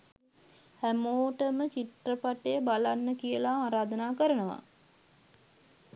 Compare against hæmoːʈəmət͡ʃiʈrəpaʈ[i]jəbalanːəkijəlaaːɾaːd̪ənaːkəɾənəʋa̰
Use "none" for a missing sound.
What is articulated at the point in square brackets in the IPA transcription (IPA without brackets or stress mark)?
e